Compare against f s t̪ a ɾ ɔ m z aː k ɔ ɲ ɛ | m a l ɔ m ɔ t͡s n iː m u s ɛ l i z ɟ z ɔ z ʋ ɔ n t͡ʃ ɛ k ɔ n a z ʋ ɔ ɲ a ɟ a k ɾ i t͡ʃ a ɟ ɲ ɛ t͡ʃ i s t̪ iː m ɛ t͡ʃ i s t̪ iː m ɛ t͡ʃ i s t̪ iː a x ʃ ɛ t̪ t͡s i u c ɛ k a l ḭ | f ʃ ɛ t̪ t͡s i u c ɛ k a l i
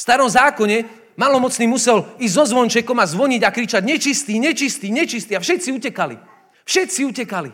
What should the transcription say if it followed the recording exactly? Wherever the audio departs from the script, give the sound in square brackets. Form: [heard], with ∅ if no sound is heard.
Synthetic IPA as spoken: f s t̪ a ɾ ɔ m z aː k ɔ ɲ ɛ | m a l ɔ m ɔ t͡s n iː m u s ɛ l i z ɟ z ɔ z ʋ ɔ n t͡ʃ ɛ k ɔ [m] a z ʋ ɔ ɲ [i] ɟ a k ɾ i t͡ʃ a ɟ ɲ ɛ t͡ʃ i s t̪ iː [ɲ] ɛ t͡ʃ i s t̪ iː [ɲ] ɛ t͡ʃ i s t̪ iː a [f] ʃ ɛ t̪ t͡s i u c ɛ k a l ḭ | f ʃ ɛ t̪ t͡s i u c ɛ k a l i